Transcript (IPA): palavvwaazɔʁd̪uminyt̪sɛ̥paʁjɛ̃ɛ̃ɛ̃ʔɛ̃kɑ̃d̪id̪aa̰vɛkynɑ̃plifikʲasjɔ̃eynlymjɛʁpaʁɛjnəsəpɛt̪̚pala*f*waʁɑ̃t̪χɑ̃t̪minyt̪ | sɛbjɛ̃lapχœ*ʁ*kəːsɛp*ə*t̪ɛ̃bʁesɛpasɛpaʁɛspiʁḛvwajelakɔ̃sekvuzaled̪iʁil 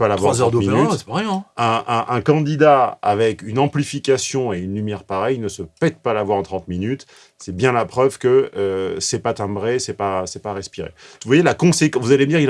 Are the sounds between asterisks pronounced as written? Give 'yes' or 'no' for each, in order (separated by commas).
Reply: no, no, no